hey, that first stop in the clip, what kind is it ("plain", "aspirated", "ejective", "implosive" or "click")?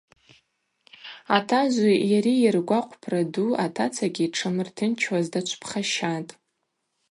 aspirated